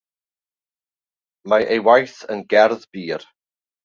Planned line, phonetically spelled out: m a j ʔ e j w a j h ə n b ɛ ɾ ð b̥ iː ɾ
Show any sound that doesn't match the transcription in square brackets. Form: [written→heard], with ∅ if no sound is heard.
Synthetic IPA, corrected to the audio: m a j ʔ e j w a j [h→θ] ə n [b→ɡ] ɛ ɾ ð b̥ iː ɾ